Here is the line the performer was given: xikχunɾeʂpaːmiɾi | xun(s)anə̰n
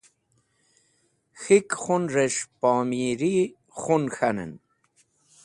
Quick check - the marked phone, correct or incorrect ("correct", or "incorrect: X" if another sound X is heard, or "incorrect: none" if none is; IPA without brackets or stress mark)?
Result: incorrect: x